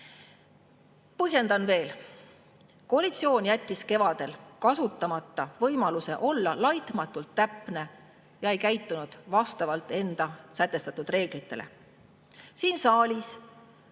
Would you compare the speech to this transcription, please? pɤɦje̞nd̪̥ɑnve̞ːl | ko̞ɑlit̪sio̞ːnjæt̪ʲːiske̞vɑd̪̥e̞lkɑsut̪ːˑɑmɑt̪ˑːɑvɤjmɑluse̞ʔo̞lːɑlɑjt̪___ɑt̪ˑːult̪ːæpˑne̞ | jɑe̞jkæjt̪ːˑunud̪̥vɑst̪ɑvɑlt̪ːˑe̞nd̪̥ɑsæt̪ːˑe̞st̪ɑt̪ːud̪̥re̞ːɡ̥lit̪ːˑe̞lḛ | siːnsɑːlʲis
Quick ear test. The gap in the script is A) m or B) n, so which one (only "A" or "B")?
A